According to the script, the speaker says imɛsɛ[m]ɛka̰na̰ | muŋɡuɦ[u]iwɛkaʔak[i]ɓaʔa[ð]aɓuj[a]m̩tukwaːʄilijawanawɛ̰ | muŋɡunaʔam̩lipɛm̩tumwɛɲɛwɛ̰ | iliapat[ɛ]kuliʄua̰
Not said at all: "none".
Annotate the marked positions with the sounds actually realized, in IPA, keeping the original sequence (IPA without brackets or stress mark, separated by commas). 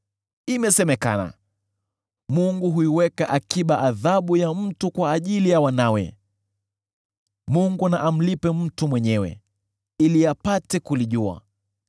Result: m, u, i, ð, a, ɛ